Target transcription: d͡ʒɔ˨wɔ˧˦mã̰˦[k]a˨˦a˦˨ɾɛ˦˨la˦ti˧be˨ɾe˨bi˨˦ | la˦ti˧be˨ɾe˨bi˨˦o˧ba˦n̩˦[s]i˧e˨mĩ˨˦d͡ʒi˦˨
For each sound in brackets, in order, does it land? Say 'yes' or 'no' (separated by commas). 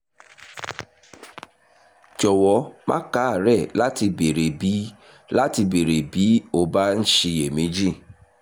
yes, no